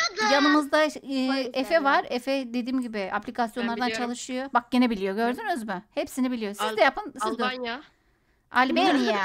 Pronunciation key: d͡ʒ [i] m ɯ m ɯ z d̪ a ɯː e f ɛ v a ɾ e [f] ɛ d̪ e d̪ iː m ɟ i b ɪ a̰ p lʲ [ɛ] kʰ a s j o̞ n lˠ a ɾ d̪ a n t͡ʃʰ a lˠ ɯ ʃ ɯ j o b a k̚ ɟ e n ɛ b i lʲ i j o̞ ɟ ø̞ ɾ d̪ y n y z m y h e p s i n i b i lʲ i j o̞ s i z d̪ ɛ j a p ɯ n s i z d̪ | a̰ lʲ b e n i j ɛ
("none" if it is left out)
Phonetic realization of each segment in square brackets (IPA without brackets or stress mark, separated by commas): a, f, i